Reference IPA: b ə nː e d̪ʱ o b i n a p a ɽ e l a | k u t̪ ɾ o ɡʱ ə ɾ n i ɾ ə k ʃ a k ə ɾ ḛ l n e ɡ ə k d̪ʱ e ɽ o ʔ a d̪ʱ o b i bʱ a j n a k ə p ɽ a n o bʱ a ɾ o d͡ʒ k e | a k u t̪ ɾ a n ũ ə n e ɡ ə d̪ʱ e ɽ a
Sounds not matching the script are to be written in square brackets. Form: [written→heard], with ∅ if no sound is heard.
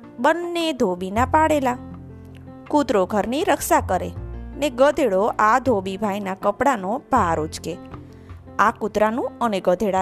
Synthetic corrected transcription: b ə nː e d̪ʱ o b i n a p a ɽ e l a | k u t̪ ɾ o ɡʱ ə ɾ n i ɾ ə k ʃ a k ə ɾ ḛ [l→∅] n e ɡ ə [k→∅] d̪ʱ e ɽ o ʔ a d̪ʱ o b i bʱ a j n a k ə p ɽ a n o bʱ a ɾ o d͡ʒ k e | a k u t̪ ɾ a n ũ ə n e ɡ ə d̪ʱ e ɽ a